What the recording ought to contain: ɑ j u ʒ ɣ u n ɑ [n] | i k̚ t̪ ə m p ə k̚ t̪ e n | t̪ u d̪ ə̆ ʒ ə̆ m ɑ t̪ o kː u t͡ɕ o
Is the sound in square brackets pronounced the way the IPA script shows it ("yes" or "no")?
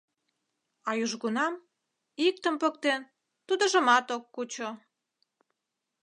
no